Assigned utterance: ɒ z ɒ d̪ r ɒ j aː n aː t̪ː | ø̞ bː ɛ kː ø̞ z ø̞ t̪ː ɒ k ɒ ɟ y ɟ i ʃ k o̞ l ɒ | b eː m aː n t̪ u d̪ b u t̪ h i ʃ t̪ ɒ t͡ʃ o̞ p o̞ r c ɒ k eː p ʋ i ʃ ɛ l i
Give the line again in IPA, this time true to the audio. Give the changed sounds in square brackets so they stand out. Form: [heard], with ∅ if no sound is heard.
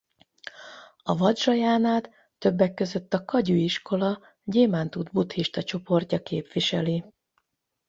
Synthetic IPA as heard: ɒ [v] ɒ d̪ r ɒ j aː n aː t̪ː | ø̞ bː ɛ kː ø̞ z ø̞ t̪ː ɒ k ɒ ɟ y [∅] i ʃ k o̞ l ɒ | [ɟ] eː m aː n t̪ u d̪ b u t̪ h i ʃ t̪ ɒ t͡ʃ o̞ p o̞ r c ɒ k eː p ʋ i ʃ ɛ l i